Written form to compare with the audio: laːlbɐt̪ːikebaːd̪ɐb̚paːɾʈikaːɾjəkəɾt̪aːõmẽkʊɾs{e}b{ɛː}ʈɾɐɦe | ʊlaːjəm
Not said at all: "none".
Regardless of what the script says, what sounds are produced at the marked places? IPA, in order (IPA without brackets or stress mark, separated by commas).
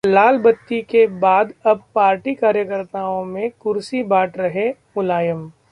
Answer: i, aː